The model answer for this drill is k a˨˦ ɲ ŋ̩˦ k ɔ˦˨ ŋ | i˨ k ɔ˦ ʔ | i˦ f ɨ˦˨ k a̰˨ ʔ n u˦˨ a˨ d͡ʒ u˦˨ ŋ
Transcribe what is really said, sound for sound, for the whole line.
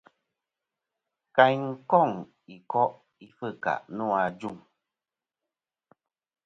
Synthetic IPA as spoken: k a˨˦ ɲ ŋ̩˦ k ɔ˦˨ ŋ | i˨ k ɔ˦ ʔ | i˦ f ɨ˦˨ k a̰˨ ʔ n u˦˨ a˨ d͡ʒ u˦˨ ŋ